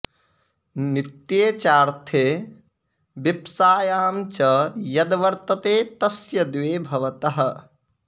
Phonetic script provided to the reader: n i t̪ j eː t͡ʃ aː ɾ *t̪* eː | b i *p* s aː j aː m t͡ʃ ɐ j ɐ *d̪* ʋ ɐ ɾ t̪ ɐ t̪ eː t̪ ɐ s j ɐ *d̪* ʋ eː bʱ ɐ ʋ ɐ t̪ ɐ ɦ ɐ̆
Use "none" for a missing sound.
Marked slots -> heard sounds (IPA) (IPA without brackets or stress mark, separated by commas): t̪ʰ, p, d̪, d̪